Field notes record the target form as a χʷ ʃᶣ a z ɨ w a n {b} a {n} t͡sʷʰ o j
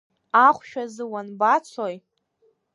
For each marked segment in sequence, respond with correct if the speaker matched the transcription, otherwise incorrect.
correct, incorrect

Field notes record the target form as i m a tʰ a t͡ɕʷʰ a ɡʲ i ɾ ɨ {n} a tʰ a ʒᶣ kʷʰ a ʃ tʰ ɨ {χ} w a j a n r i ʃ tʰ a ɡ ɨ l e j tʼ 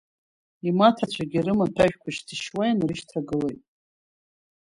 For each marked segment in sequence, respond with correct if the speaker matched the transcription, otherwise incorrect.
incorrect, incorrect

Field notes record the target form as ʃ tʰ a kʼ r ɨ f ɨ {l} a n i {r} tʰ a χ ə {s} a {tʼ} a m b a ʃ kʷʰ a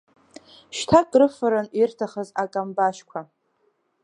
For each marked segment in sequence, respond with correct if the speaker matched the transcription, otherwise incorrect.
incorrect, correct, incorrect, incorrect

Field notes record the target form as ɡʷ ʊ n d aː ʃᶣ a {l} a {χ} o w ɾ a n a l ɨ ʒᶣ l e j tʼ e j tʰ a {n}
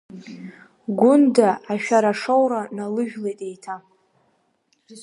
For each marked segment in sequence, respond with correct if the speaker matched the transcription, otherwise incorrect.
incorrect, incorrect, incorrect

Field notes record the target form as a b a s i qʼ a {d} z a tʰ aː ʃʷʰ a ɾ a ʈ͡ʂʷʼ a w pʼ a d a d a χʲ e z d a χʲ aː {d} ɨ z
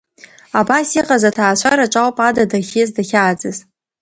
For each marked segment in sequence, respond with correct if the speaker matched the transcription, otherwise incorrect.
incorrect, incorrect

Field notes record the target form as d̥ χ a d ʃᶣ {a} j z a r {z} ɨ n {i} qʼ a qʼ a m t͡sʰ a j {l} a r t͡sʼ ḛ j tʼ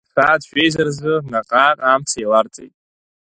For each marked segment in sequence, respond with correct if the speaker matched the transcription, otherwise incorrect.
incorrect, correct, incorrect, correct

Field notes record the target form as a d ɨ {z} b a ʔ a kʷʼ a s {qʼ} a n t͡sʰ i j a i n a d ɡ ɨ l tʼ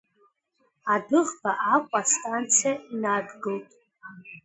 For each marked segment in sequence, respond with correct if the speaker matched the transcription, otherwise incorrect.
incorrect, incorrect

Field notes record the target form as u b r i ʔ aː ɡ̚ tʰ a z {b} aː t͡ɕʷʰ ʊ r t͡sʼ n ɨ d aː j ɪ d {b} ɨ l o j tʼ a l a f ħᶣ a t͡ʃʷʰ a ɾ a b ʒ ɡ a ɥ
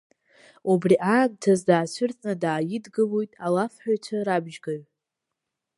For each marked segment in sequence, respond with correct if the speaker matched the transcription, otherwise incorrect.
incorrect, incorrect

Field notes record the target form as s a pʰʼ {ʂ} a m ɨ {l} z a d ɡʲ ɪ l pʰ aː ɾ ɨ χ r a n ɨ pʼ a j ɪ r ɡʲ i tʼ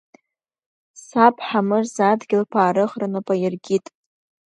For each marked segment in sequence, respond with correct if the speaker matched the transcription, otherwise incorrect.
incorrect, incorrect

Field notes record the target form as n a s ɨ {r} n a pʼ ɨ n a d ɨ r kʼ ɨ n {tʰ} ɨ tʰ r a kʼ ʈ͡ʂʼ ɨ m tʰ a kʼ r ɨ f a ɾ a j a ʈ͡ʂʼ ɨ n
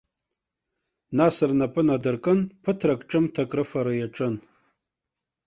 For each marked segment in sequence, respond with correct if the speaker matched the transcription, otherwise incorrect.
correct, incorrect

